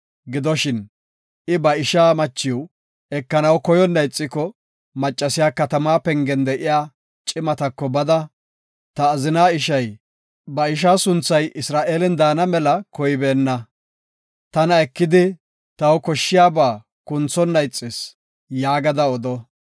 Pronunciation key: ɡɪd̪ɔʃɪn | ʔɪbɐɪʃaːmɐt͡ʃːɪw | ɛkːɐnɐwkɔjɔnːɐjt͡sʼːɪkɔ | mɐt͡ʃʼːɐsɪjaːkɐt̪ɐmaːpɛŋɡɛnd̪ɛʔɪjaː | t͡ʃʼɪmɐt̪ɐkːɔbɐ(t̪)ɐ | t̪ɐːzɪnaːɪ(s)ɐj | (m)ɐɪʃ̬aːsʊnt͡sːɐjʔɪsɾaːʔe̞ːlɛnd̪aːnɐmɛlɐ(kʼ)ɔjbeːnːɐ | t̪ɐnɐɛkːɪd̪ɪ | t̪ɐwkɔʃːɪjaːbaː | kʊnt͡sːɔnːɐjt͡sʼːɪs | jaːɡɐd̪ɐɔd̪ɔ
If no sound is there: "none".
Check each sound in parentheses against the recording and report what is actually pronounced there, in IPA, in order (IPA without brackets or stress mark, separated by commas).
d̪, ʃ, b, k